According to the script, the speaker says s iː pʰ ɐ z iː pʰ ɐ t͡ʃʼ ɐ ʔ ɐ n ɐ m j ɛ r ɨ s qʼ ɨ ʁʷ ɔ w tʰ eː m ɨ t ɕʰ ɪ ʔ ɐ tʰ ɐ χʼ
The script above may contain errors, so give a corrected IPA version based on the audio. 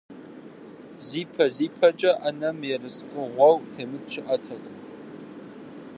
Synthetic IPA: z iː pʰ ɐ z iː pʰ ɐ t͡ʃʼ ɐ ʔ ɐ n ɐ m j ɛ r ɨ s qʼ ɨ ʁʷ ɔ w tʰ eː m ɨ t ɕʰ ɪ ʔ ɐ tʰ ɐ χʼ